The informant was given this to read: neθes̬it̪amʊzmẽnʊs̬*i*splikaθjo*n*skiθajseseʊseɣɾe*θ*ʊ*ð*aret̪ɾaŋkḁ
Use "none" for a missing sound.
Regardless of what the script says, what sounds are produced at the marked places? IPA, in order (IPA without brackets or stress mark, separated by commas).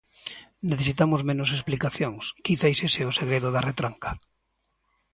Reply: e, ŋ, ð, ð